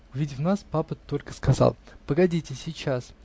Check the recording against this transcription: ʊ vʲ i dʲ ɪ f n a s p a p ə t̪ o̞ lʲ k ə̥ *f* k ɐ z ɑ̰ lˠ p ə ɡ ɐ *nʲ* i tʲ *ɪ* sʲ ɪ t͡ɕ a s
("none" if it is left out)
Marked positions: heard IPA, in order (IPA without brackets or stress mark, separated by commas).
s, dʲ, ɪ